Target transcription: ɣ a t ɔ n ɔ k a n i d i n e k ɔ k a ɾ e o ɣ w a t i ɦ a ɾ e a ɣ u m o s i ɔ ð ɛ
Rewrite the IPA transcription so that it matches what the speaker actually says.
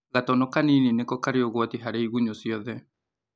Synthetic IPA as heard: ɣ a t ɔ n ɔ k a n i n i n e k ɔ k a ɾ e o ɣ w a t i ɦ a ɾ e i ɣ u ɲ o s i ɔ ð ɛ